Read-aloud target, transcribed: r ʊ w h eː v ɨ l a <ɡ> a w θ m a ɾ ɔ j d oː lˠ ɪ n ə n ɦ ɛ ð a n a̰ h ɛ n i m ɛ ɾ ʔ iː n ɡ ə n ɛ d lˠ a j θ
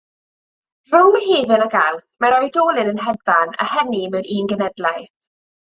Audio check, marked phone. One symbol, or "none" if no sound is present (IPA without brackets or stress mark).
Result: ɡ